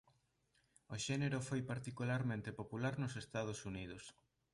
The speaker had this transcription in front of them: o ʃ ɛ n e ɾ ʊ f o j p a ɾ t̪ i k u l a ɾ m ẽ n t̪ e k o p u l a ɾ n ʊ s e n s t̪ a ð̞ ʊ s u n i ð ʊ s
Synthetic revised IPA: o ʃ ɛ n e ɾ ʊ f o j p a ɾ t̪ i k u l a ɾ m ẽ n t̪ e p o p u l a ɾ n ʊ s e s t̪ a ð̞ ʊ s u n i ð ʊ s

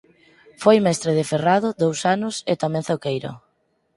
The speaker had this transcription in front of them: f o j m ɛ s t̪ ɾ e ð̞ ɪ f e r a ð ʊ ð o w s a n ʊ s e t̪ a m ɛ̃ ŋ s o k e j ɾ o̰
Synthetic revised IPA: f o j m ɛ s t̪ ɾ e ð̞ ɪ f e r a ð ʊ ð o w s a n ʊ s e t̪ a m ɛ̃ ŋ θ o k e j ɾ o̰

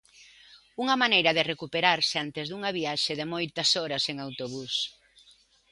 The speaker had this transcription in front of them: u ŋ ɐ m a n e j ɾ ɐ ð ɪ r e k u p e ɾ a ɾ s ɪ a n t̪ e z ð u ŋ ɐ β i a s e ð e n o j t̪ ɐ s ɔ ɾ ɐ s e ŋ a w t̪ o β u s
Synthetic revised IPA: u ŋ ɐ m a n e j ɾ ɐ ð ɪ r e k u p e ɾ a ɾ s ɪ a n t̪ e z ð u ŋ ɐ β i a ʃ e ð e m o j t̪ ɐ s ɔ ɾ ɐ s e ŋ a w t̪ o β u s

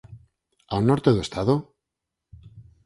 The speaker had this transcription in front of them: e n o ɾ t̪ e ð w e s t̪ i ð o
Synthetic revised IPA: a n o ɾ t̪ e ð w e s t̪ a ð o

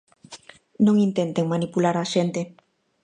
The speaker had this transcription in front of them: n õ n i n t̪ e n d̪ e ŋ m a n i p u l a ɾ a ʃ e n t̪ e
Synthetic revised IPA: n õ ŋ i n t̪ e n t̪ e ŋ m a n i p u l a ɾ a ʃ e n t̪ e

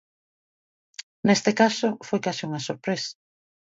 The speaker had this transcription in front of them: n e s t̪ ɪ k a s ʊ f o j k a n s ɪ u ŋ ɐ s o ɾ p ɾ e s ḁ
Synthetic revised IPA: n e s t̪ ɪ k a s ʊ f o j k a s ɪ u ŋ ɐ s o ɾ p ɾ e s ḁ

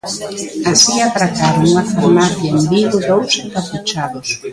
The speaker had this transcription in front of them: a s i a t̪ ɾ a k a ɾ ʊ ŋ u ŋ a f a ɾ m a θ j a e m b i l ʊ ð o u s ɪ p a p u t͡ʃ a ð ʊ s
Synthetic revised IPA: a s i a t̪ ɾ a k a ɾ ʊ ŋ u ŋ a f a ɾ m a θ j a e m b i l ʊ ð o w s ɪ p a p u t͡ʃ a ð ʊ s

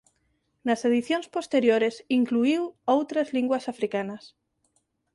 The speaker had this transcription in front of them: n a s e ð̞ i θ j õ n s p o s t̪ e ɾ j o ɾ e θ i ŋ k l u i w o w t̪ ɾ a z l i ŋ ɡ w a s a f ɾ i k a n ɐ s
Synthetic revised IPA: n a s e ð̞ i θ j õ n s p o s t̪ e ɾ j o ɾ e s i ŋ k l u i w o w t̪ ɾ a z l i ŋ ɡ w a s a f ɾ i k a n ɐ s

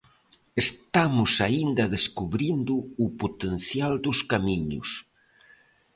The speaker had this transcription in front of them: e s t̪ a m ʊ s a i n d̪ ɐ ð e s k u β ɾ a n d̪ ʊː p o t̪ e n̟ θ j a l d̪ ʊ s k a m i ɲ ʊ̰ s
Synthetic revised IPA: e s t̪ a m ʊ s a i n d̪ ɐ ð e s k u β ɾ i n d̪ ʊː p o t̪ e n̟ θ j a l d̪ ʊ s k a m i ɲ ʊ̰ s

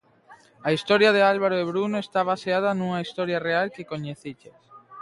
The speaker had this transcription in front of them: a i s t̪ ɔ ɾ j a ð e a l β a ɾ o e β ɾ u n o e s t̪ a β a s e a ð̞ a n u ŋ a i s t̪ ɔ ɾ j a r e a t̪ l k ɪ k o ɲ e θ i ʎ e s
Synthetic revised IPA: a i s t̪ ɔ ɾ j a ð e a l β a ɾ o e β ɾ u n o e s t̪ a β a s e a ð̞ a n u ŋ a i s t̪ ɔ ɾ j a r e a l k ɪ k o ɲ e θ i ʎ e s

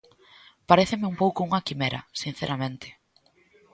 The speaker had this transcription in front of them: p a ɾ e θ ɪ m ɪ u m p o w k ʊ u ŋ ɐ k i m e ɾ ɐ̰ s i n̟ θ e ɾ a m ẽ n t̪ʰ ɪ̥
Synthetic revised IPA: p a ɾ e θ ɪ m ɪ u m p o w k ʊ u ŋ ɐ k i m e ɾ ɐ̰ s i n̟ θ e ɾ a m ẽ n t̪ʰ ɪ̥

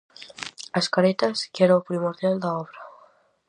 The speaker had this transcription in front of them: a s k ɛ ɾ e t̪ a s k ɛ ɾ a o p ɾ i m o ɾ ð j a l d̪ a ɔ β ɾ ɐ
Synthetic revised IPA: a s k a ɾ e t̪ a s k ɛ ɾ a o p ɾ i m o ɾ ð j a l d̪ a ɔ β ɾ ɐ

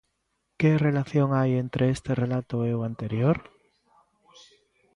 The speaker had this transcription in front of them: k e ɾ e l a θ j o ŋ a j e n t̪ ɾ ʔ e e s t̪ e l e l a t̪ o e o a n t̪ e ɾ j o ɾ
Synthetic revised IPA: k e r e l a θ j o ŋ a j e n t̪ ɾ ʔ e e s t̪ e r e l a t̪ o e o a n t̪ e ɾ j o ɾ

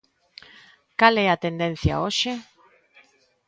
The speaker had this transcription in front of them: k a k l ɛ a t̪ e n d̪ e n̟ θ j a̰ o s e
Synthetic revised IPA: k a l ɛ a t̪ e n d̪ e n̟ θ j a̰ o ʃ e

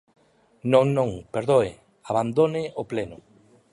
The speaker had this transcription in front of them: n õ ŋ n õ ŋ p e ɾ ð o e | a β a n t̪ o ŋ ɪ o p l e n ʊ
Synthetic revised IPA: n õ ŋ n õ ŋ p e ɾ ð o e | a β a n d̪ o n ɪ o p l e n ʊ

